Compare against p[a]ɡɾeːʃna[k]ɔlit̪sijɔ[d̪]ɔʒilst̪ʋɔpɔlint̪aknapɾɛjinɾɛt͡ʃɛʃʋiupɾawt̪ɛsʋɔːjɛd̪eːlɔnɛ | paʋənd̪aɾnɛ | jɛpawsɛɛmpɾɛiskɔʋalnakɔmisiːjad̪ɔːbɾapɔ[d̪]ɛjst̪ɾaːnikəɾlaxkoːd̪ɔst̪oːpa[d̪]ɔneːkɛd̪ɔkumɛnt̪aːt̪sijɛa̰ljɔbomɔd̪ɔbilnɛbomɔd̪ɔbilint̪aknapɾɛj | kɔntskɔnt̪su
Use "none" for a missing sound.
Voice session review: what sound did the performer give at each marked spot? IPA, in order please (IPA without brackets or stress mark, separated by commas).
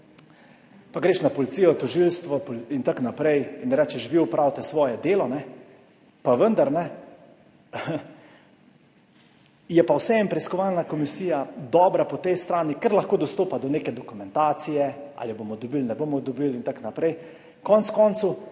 a, p, t̪, t̪, d̪